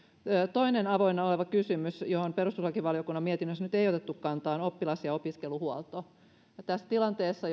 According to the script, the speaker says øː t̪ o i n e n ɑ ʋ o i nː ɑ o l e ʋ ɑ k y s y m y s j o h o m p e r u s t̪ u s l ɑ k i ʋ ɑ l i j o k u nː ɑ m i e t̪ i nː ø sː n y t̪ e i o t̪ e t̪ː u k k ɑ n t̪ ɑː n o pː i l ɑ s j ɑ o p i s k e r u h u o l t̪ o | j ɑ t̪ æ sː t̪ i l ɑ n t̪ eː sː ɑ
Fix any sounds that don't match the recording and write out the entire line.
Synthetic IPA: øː t̪ o i n e n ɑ ʋ o i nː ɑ o l e ʋ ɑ k y s y m y s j o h o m p e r u s t̪ u s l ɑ k i ʋ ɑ l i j o k u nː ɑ m i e t̪ i nː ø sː n y t̪ e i o t̪ e t̪ː u k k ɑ n t̪ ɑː n o pː i l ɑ s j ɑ o p i s k e l u h u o l t̪ o | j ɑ t̪ æ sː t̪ i l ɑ n t̪ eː sː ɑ

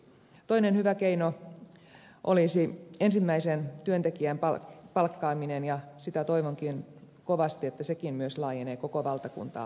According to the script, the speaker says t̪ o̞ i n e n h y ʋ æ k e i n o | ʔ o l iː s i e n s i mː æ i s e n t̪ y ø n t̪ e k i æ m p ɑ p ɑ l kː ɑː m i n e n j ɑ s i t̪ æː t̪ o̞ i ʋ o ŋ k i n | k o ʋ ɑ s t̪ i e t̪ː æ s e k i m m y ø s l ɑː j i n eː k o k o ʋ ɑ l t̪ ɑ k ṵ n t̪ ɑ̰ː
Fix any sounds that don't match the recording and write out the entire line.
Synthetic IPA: t̪ o̞ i n e n h y ʋ æ k e i n o | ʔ o l i s i e n s i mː æ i s e n t̪ y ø n t̪ e k i æ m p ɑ p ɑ l kː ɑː m i n e n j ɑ s i t̪ æ t̪ o̞ i ʋ o ŋ k i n | k o ʋ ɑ s t̪ i e t̪ː æ s e k i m m y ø s l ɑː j e n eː k o k o ʋ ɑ l t̪ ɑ k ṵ n t̪ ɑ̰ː

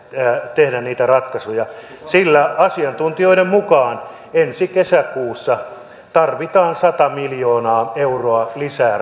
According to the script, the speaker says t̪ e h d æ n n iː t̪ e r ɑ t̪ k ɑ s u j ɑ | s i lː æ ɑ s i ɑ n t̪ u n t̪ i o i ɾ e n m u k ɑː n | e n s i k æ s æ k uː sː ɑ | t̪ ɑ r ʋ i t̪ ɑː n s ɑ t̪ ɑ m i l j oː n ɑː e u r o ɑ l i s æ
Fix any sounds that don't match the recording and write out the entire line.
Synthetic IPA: t̪ e h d æ n n iː t̪ æ r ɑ t̪ k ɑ s u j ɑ | s i lː æ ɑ s i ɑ n t̪ u n t̪ i o i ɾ e m m u k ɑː n | e n s i k e s æ k uː sː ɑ | t̪ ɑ r ʋ i t̪ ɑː n s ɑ t̪ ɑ m i l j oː n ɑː e u r o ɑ l i s æː

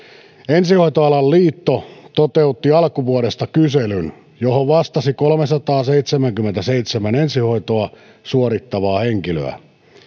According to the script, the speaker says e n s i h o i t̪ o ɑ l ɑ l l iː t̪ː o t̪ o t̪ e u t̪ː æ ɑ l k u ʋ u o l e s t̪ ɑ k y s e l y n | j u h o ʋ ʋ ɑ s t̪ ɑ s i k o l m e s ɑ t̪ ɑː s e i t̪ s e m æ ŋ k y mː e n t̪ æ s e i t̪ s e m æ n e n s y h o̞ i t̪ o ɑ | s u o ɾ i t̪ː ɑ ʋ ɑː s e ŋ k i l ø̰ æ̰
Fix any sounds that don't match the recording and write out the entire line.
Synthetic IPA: e n s i h o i t̪ o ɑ l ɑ l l iː t̪ː o t̪ o t̪ e u t̪ː i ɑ l k u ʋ u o l e s t̪ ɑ k y s e l y n | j o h o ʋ ʋ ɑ s t̪ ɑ s i k o l m e s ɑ t̪ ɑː s e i t̪ s e m æ ŋ k y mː e n t̪ æ s e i t̪ s e m æ n e n s i h o̞ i t̪ o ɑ | s u o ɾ i t̪ː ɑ ʋ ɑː h e ŋ k i l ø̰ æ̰

